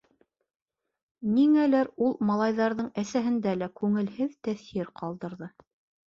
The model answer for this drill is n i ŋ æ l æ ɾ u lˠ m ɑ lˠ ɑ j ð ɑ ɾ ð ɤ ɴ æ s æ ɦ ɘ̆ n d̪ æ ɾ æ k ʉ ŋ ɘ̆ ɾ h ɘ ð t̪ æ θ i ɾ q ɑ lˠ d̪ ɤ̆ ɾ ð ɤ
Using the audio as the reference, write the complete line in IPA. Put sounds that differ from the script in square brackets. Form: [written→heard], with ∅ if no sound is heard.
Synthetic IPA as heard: n i ŋ æ l æ ɾ u lˠ m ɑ lˠ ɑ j ð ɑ ɾ ð ɤ ɴ æ s æ ɦ ɘ̆ n d̪ æ [ɾ→l] æ k ʉ ŋ ɘ̆ [ɾ→l] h ɘ ð t̪ æ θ i ɾ q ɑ lˠ d̪ ɤ̆ ɾ ð ɤ

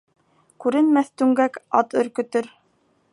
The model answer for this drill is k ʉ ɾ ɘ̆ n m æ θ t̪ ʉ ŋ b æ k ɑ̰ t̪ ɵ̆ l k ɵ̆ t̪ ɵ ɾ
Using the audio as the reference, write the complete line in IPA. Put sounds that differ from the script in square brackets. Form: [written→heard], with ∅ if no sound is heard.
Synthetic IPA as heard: k ʉ ɾ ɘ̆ n m æ θ t̪ ʉ ŋ [b→ɡ] æ k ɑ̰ t̪ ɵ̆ [l→ɾ] k ɵ̆ t̪ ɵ ɾ

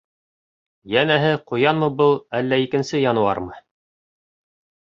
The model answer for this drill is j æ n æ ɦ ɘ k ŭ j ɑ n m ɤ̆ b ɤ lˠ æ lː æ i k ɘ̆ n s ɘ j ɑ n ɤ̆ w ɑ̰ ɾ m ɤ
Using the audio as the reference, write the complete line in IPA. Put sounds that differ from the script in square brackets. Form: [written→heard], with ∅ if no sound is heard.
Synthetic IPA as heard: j æ n æ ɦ ɘ [k→q] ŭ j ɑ n m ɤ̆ b ɤ lˠ æ lː æ i k ɘ̆ n s ɘ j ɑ n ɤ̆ w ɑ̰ ɾ m ɤ

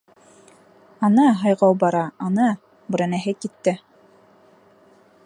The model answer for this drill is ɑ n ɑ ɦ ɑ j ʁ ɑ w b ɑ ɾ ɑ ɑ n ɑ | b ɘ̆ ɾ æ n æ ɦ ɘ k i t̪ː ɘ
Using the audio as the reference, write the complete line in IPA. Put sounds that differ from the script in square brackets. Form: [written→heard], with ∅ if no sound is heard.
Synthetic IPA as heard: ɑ n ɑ ɦ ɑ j ʁ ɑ w b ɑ ɾ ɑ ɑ n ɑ | b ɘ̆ ɾ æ n æ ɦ ɘ k i t̪ː ɘ

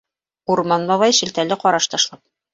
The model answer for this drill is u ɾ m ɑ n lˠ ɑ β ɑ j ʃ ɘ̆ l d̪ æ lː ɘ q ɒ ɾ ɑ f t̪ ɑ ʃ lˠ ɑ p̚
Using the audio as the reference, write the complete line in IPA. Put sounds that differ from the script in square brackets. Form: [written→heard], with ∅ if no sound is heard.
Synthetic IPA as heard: u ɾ m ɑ n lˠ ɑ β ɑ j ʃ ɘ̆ l [d̪→t̪] æ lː ɘ q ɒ ɾ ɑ [f→ʃ] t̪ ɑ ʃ lˠ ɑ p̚

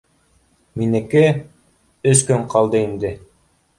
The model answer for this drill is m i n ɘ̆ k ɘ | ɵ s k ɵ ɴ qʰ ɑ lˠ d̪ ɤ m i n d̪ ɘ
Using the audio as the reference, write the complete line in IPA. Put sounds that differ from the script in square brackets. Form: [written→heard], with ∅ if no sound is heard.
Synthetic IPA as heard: m i n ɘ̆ k ɘ | ɵ s k ɵ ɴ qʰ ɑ lˠ d̪ ɤ [m→∅] i n d̪ ɘ

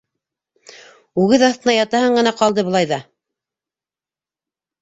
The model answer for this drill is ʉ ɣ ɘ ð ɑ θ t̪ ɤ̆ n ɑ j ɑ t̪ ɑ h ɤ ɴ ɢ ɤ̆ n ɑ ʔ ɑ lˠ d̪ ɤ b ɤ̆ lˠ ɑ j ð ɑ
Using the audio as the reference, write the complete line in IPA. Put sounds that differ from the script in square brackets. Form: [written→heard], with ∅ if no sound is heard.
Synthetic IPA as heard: ʉ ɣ ɘ ð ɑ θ t̪ ɤ̆ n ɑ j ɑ t̪ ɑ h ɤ ɴ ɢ ɤ̆ n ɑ [ʔ→q] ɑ lˠ d̪ ɤ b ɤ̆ lˠ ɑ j ð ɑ

